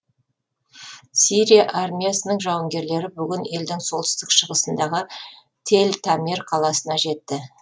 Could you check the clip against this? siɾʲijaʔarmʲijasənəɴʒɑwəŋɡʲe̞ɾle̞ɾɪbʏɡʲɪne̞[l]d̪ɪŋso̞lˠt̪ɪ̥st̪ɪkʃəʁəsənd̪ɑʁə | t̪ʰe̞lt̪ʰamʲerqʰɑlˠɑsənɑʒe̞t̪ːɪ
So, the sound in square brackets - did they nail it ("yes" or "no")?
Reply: yes